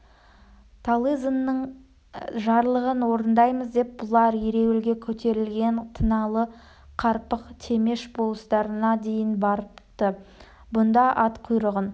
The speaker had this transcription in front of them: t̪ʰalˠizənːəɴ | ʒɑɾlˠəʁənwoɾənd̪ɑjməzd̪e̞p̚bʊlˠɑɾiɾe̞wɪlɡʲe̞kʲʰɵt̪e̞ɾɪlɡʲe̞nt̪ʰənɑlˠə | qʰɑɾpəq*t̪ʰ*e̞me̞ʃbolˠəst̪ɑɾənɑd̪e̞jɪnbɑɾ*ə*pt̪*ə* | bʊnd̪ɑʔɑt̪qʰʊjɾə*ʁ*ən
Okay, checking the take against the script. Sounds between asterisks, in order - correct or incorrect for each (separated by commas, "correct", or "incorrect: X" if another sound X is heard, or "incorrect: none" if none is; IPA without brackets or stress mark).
correct, correct, correct, correct